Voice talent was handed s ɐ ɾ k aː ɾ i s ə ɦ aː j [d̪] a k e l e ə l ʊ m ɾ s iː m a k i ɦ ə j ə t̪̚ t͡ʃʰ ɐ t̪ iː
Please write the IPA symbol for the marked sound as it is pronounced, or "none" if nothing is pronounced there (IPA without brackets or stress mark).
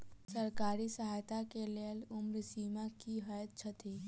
t̪